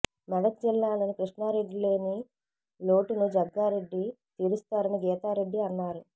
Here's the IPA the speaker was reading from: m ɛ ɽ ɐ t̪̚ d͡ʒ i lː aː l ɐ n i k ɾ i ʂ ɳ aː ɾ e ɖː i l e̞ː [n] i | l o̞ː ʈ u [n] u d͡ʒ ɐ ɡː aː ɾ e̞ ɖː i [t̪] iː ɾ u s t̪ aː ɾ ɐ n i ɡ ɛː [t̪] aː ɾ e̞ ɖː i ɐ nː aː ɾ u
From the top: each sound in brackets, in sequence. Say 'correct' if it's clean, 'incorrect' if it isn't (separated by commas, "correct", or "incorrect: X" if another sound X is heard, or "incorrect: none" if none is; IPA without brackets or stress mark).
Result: correct, correct, correct, correct